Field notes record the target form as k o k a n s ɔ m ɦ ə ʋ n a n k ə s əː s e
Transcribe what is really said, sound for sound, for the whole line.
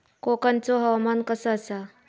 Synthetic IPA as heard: k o k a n t͡s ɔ ɦ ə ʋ m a n k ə s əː s a

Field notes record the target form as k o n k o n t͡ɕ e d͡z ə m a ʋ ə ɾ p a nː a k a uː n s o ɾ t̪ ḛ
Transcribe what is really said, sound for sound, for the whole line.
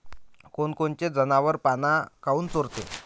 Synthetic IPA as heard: k o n k o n t͡ɕ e d͡z ə n a ʋ ə ɾ p a n a k a uː n t͡s o ɾ t̪ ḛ

